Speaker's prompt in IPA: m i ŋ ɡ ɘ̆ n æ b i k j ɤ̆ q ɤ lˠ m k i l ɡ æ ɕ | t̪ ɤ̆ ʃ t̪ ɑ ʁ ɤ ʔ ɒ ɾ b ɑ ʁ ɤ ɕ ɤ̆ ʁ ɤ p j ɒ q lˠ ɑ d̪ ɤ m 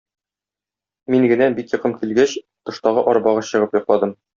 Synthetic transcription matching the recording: m i ŋ ɡ ɘ̆ n æ b i k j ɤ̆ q ɤ m k i l ɡ æ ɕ | t̪ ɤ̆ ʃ t̪ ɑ ʁ ɤ ʔ ɒ ɾ b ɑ ʁ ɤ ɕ ɤ̆ ʁ ɤ p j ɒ q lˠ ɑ d̪ ɤ m